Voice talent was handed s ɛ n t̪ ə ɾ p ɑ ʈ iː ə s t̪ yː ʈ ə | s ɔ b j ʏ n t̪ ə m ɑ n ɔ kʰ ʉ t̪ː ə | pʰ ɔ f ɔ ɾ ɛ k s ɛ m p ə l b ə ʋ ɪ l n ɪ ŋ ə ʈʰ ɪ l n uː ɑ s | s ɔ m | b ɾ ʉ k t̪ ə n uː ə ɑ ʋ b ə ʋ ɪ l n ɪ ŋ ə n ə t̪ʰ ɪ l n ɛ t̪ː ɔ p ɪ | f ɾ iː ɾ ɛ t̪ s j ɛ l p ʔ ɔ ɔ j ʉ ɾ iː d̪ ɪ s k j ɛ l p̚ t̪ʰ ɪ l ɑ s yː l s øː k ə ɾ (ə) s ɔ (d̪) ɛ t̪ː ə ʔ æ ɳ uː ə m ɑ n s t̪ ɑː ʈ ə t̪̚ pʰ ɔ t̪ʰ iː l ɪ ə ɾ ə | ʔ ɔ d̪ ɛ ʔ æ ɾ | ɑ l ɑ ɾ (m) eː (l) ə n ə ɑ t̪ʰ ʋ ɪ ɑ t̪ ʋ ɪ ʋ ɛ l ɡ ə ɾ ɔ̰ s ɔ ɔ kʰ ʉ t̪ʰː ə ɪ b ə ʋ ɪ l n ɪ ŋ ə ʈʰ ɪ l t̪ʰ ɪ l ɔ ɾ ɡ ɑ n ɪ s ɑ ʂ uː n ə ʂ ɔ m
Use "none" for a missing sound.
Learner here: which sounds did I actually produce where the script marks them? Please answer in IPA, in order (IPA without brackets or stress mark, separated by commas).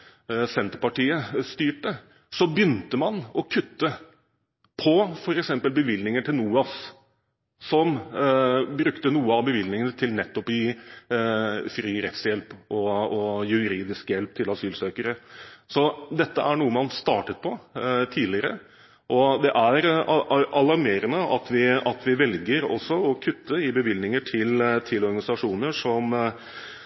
ə, d̪, m, ɾ